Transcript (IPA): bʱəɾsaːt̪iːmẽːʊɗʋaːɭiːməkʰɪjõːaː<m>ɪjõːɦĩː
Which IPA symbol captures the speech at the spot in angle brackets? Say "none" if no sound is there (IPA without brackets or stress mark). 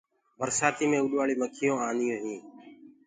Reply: n